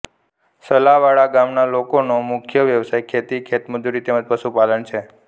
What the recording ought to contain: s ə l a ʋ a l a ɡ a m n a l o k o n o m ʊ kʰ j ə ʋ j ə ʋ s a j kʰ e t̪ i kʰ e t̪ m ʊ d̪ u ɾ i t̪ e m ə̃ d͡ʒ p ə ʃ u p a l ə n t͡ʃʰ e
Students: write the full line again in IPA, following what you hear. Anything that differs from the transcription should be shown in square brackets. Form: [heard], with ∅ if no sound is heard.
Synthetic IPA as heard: s ə l a ʋ a [ɭ] a ɡ a m n a l o k o n o m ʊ kʰ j ə ʋ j ə ʋ s a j kʰ e t̪ i kʰ e t̪ m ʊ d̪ u ɾ i t̪ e m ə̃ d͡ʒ p ə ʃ u p a l ə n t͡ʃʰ e